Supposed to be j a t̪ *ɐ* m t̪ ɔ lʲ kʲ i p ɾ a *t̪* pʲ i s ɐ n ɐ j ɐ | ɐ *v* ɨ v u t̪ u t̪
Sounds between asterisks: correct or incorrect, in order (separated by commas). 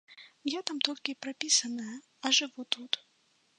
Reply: incorrect, incorrect, incorrect